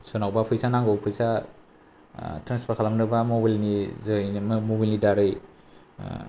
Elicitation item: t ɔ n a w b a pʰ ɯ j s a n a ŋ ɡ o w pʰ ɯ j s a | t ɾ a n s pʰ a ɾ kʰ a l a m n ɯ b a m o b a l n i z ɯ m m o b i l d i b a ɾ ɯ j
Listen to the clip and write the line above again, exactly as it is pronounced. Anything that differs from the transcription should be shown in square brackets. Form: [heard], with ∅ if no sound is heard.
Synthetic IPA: [s] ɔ n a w b a pʰ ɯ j s a n a ŋ ɡ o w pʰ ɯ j s a | t ɾ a n s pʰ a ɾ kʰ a l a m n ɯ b a m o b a l n i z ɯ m m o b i l [n] i [d] a ɾ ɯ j